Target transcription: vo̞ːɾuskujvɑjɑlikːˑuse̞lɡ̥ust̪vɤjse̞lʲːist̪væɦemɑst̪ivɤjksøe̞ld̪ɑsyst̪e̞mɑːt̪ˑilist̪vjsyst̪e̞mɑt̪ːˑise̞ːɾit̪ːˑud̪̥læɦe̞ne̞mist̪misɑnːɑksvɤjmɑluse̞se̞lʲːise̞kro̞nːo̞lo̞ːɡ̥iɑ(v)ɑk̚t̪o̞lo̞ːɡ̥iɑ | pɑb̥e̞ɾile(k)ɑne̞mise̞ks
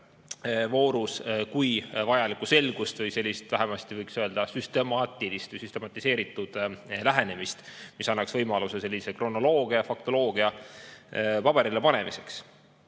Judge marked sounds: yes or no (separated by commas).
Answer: no, no